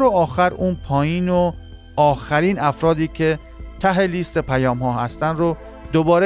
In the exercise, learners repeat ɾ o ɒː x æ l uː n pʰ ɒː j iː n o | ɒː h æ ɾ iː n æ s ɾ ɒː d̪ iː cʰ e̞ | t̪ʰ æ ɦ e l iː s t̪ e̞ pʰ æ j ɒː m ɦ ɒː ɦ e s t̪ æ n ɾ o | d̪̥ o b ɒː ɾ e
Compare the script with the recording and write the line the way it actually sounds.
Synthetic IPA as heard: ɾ o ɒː x æ ɾ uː n pʰ ɒː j iː n o | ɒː x æ ɾ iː n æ f ɾ ɒː d̪ iː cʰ e̞ | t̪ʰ æ ɦ e l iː s t̪ e̞ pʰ æ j ɒː m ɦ ɒː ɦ æ s t̪ æ n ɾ o | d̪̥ o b ɒː ɾ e